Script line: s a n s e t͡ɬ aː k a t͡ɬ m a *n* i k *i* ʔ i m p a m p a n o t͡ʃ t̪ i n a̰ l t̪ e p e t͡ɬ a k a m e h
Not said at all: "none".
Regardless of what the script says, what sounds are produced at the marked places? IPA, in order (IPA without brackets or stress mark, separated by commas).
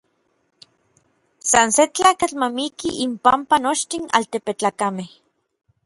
m, i